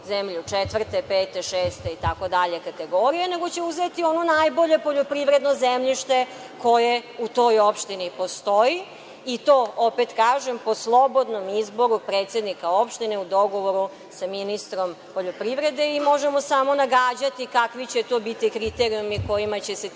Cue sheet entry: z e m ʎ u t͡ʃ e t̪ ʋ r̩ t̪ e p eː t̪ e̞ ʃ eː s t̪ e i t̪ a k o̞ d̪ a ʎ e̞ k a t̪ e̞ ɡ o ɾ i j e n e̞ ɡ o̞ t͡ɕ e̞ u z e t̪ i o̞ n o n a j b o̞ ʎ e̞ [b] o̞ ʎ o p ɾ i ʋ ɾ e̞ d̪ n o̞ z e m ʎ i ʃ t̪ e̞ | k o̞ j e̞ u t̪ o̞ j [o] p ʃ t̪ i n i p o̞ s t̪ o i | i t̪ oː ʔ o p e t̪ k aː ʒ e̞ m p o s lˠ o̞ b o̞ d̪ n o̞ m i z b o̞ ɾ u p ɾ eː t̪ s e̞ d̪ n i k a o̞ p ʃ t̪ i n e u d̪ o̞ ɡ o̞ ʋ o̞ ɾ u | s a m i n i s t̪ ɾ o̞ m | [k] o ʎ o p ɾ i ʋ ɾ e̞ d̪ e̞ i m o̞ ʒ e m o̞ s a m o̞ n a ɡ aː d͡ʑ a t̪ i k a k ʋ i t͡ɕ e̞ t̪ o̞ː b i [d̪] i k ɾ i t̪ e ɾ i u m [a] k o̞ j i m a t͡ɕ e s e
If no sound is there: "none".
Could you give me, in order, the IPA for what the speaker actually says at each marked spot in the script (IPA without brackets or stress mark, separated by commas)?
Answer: p, o, p, t̪, i